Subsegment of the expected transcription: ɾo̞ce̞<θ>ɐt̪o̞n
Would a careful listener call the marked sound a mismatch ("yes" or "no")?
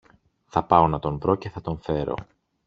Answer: no